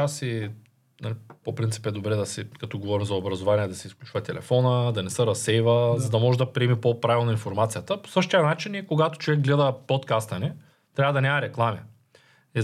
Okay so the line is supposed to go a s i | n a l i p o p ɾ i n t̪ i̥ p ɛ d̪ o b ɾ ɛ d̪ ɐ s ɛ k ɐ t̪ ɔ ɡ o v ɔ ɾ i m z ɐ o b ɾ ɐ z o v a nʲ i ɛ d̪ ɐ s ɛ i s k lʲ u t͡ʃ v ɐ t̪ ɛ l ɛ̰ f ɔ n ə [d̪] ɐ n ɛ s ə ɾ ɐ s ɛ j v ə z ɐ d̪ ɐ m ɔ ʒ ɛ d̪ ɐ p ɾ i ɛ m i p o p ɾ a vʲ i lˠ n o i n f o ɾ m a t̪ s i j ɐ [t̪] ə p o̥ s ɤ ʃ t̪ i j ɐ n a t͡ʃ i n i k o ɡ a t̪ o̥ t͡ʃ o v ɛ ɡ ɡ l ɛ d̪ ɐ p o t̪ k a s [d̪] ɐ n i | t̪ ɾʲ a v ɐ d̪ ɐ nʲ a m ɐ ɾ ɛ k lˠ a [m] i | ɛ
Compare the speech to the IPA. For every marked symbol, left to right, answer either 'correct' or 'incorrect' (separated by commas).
correct, correct, incorrect, correct